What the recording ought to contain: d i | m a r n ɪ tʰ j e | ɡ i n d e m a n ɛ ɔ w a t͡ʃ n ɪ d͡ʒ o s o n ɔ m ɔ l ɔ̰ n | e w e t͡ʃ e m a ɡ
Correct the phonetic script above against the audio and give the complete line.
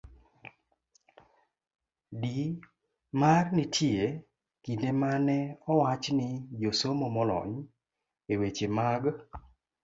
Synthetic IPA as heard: d i | m a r n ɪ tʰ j e | k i n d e m a n ɛ ɔ w a t͡ʃ n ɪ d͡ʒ o s o m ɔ m ɔ l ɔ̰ ɲ | e w e t͡ʃ e m a ɡ